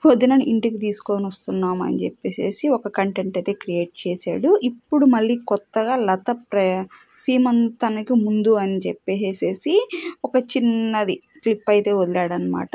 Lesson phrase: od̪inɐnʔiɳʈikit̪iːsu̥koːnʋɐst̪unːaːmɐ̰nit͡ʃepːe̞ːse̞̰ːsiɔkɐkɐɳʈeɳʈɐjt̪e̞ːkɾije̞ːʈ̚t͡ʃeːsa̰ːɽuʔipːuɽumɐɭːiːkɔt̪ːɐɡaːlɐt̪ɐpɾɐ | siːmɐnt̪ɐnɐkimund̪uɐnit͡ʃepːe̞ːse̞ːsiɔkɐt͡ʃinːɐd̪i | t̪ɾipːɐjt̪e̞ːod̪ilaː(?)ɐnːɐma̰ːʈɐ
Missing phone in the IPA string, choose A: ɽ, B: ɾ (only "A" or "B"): A